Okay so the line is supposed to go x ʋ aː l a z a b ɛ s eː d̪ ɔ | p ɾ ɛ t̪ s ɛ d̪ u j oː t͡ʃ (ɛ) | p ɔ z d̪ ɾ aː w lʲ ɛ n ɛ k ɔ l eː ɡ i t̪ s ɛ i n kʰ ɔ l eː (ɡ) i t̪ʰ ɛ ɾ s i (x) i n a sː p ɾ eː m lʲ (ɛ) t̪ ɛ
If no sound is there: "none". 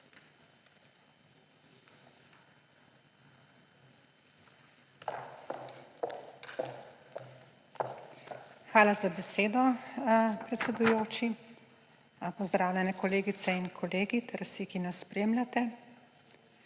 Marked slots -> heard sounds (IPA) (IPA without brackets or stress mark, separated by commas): i, ɡ, k, a